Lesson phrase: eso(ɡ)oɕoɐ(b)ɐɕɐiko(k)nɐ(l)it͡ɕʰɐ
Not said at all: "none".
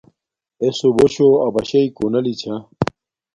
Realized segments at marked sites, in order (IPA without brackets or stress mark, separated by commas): b, b, none, l